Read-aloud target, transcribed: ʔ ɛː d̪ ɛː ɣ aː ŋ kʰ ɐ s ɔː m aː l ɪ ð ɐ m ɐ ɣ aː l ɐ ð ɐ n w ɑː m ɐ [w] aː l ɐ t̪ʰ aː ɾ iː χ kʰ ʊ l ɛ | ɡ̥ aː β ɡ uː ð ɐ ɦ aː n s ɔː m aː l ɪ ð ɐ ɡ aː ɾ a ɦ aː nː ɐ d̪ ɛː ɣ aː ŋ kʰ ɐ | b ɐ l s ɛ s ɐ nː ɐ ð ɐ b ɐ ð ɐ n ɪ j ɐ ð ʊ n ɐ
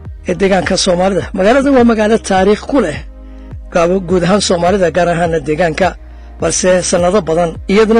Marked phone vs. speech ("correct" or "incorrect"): incorrect